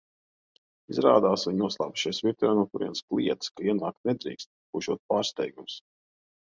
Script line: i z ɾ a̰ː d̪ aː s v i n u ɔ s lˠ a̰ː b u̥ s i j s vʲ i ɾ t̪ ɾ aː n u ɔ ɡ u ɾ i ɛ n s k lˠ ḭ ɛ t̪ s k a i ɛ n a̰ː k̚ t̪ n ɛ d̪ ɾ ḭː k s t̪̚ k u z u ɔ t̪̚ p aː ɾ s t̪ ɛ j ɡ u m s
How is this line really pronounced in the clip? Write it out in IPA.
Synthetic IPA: i z ɾ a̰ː d̪ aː s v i ɲ u ɔ s lˠ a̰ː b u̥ ʃ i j s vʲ i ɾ t̪ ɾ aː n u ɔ k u ɾ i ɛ n s k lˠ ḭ ɛ t̪ s k a i ɛ n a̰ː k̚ t̪ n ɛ d̪ ɾ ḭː k s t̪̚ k u ʒ u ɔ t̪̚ p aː ɾ s t̪ ɛ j ɡ u m s